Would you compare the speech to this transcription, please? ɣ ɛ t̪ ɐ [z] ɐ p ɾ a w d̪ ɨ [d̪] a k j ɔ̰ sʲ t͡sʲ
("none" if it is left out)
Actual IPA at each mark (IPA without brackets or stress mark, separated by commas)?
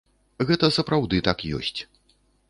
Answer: s, t̪